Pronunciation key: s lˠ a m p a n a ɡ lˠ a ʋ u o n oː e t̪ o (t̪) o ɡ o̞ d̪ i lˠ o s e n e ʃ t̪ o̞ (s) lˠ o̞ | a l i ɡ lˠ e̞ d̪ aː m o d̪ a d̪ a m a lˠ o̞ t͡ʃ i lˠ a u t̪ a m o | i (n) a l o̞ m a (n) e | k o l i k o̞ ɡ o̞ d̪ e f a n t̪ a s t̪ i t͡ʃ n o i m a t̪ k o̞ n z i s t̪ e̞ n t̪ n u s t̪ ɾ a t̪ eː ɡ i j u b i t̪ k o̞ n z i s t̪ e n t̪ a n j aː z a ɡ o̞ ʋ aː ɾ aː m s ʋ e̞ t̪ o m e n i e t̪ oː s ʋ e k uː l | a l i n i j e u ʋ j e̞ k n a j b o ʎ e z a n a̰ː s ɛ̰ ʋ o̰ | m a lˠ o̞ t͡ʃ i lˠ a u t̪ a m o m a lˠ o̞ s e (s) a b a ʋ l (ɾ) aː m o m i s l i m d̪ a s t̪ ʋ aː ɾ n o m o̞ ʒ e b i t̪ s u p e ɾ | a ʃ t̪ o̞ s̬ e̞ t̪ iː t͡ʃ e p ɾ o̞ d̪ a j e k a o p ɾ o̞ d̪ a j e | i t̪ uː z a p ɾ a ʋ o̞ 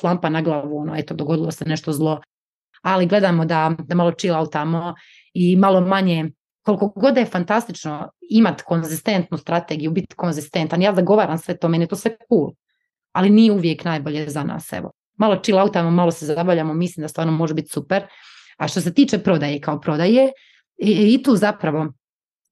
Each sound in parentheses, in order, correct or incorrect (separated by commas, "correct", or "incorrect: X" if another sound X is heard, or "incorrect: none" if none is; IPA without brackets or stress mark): incorrect: d̪, incorrect: z, incorrect: m, incorrect: ɲ, incorrect: z, incorrect: ʎ